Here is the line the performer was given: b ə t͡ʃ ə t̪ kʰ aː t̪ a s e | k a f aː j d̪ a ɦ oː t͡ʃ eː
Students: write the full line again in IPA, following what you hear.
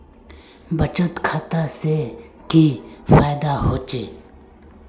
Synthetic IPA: b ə t͡ʃ ə t̪ kʰ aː t̪ a s e | k i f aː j d̪ a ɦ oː t͡ʃ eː